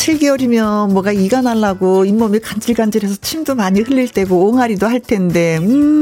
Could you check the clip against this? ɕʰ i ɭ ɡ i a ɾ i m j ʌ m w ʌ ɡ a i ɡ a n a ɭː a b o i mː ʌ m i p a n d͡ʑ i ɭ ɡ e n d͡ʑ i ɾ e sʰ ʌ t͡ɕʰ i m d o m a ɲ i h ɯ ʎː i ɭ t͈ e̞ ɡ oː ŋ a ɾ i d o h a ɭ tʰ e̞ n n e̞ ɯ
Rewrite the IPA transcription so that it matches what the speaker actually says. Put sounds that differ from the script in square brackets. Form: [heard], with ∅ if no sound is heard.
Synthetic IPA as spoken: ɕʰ i ɭ ɡ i [ʌ] ɾ i m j ʌ m w ʌ ɡ a i ɡ a n a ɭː a [ɡ] o i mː ʌ m i [k] a n d͡ʑ i ɭ ɡ [a] n d͡ʑ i ɾ e sʰ ʌ t͡ɕʰ i m d o m a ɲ i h ɯ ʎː i ɭ t͈ e̞ ɡ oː ŋ a ɾ i d o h a ɭ tʰ e̞ n [d] e̞ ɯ